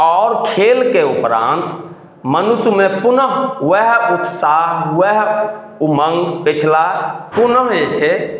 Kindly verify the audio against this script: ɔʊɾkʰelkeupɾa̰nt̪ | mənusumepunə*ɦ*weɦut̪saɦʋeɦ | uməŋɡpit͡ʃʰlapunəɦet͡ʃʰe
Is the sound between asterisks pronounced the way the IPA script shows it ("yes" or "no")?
yes